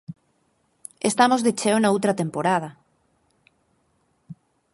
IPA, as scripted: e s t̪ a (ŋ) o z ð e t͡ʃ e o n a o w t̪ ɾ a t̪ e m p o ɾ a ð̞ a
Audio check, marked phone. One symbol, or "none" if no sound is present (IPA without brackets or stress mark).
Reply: m